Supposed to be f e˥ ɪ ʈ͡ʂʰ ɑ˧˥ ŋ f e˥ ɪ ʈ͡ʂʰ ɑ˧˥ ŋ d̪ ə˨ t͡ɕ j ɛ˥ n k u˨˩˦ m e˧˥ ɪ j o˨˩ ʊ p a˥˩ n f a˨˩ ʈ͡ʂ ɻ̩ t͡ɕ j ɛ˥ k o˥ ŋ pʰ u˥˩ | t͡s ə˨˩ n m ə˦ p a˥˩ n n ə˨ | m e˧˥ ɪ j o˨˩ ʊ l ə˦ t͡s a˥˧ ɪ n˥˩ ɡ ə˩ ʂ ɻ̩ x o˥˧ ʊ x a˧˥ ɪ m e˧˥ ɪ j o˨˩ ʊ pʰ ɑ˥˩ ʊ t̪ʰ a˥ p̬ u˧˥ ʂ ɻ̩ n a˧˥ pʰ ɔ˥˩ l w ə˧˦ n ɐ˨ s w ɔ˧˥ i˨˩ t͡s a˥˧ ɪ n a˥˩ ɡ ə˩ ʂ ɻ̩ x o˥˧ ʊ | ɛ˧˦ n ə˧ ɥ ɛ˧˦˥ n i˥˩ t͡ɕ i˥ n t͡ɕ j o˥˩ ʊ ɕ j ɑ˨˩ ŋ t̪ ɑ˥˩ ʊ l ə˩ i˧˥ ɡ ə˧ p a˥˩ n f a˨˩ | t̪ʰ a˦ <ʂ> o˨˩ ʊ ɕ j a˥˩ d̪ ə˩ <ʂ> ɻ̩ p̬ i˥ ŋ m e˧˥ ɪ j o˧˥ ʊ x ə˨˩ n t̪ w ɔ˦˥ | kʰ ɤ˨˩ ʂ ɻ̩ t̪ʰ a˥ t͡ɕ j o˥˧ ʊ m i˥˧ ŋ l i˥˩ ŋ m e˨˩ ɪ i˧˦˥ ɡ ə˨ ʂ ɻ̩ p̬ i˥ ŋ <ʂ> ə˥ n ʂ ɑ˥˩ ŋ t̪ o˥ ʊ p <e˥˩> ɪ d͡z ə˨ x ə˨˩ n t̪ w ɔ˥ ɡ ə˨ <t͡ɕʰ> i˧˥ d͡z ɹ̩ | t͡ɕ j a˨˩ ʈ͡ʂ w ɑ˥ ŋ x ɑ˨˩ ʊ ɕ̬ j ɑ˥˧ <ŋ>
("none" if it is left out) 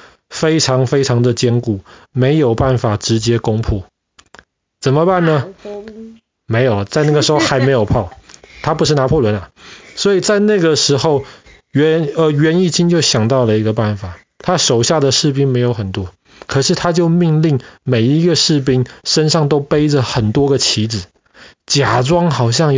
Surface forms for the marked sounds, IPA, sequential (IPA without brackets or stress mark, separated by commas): ʂ, ʂ, ʂ, e˥, t͡ɕʰ, ŋ